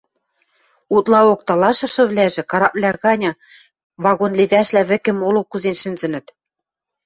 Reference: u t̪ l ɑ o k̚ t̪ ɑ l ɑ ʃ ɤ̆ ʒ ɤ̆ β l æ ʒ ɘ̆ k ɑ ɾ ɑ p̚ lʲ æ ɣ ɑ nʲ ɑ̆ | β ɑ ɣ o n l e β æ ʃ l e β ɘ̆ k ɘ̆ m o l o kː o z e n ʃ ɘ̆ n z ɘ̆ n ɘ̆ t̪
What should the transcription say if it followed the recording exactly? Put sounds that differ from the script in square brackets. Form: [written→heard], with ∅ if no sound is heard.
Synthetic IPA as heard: u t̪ l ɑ o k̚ t̪ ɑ l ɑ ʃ ɤ̆ [ʒ→ʃ] ɤ̆ β l æ ʒ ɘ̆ k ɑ ɾ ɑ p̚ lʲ æ ɣ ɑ nʲ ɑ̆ | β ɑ ɣ o n l e β æ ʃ l [e→æ] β ɘ̆ k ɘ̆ m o l o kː [o→u] z e n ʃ ɘ̆ n z ɘ̆ n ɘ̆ t̪